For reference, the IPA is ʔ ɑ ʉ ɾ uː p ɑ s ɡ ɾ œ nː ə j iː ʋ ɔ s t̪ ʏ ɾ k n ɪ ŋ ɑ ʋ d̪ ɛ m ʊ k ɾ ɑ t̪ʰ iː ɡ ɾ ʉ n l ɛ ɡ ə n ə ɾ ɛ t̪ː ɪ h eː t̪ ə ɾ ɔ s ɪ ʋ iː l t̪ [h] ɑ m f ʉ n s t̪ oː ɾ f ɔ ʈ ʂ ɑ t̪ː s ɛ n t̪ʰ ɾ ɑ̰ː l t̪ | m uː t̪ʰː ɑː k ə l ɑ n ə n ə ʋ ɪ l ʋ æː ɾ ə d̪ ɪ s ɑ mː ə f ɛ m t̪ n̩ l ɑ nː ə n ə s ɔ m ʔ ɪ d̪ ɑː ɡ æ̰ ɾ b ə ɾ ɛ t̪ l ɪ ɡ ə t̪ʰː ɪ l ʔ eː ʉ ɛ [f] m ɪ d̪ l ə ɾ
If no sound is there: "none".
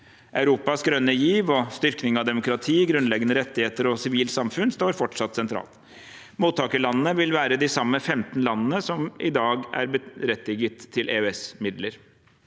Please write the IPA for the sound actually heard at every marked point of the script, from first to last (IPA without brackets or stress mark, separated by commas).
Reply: s, s